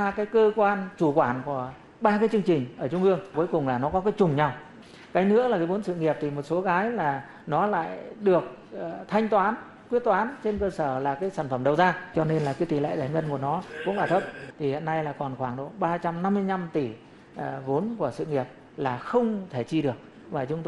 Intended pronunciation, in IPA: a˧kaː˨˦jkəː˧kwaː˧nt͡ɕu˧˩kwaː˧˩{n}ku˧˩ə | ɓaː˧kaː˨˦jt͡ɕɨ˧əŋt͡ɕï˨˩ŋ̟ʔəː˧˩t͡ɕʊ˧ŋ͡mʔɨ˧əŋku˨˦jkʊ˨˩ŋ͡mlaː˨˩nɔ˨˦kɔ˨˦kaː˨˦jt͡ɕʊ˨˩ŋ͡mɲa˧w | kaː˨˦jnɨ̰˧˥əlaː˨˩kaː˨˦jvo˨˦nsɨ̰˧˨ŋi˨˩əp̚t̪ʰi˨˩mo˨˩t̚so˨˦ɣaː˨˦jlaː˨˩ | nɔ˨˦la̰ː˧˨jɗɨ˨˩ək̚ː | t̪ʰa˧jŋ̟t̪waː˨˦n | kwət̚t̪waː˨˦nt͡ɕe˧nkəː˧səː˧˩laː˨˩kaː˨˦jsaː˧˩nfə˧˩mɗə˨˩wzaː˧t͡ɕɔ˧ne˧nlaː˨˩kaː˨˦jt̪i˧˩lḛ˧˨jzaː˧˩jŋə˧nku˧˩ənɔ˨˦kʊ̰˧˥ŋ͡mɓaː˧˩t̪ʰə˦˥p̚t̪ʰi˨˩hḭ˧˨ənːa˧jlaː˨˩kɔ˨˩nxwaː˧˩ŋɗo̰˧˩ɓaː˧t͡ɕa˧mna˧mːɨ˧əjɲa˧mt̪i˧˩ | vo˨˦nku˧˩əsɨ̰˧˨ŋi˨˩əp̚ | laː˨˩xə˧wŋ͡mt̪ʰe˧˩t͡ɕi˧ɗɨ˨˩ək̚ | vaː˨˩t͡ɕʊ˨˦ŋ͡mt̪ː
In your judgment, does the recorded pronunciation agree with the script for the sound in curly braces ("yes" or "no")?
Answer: yes